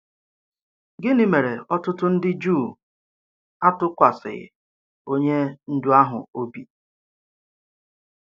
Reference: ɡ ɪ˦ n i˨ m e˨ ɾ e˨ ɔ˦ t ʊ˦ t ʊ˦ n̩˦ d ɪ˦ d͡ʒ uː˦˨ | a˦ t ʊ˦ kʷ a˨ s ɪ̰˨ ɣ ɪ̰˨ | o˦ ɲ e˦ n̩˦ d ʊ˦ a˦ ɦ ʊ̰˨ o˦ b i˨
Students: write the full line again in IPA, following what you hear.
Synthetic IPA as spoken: ɡ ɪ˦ n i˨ m e˨ ɾ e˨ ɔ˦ t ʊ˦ t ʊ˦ n̩˦ d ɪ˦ d͡ʒ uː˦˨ | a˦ t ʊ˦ kʷ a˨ s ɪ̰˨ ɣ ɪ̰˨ | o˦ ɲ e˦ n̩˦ d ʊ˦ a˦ ɦ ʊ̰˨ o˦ b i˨